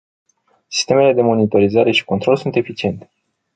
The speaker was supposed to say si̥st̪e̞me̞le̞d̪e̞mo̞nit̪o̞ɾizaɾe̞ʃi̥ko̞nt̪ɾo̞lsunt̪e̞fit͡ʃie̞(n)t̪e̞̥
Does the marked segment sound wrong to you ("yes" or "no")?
no